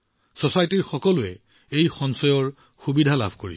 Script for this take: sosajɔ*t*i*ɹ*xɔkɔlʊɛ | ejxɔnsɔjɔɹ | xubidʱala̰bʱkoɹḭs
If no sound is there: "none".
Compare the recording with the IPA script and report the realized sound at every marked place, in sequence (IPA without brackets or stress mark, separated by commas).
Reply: t, ɹ